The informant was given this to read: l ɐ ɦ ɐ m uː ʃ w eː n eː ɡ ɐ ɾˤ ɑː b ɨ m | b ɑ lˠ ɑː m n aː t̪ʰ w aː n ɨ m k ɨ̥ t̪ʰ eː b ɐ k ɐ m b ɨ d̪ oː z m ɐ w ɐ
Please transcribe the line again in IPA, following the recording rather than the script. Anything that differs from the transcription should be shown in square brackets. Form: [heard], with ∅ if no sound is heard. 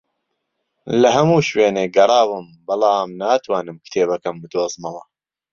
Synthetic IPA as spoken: l ɐ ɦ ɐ m uː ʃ w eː n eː ɡ ɐ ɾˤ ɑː [w] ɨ m | b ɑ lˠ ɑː m n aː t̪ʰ w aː n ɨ m k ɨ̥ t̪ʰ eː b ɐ k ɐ m b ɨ d̪ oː z m ɐ w ɐ